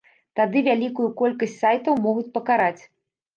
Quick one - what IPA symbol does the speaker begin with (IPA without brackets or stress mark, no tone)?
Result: t̪